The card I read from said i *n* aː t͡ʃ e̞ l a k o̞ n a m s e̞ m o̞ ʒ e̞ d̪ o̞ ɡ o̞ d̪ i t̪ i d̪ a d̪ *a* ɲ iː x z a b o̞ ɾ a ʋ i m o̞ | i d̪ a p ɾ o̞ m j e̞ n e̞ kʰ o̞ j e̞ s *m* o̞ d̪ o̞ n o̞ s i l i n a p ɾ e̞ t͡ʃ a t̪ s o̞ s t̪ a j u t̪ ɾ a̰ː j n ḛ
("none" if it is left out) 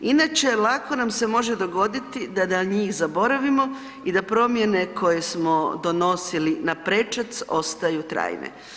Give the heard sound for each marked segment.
n, a, m

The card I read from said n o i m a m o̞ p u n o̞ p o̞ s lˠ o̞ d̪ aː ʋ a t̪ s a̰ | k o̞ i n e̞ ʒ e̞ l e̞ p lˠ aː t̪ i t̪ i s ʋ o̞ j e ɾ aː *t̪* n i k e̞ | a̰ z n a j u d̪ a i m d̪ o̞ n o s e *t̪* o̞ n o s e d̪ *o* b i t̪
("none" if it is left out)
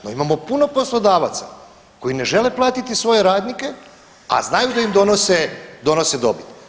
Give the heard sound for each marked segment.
d̪, d̪, o

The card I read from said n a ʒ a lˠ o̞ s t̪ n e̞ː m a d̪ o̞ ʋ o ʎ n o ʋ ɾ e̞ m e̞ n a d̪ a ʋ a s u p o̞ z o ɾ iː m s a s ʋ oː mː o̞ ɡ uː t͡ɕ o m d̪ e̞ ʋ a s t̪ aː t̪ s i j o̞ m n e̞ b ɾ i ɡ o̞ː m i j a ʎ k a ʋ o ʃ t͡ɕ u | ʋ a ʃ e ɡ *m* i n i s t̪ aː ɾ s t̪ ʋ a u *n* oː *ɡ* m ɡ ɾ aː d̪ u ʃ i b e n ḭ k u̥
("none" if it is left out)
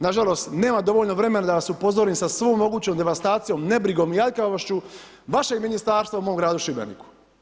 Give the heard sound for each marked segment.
m, m, none

